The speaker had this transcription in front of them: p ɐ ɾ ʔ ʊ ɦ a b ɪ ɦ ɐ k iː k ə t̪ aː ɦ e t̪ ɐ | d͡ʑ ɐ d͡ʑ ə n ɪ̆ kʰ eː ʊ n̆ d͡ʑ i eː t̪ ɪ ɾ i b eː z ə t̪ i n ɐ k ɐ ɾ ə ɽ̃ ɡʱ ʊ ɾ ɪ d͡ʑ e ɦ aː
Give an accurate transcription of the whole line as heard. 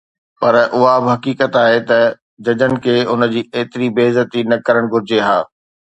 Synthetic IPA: p ɐ ɾ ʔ ʊ ɦ a b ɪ ɦ ɐ k iː k ə t̪ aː ɦ e t̪ ɐ | d͡ʑ ɐ d͡ʑ ə n ɪ̆ kʰ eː ʊ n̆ d͡ʑ iː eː t̪ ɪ ɾ i b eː z ə t̪ i n ɐ k ɐ ɾ ə ɽ̃ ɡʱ ʊ ɾ ɪ d͡ʑ e ɦ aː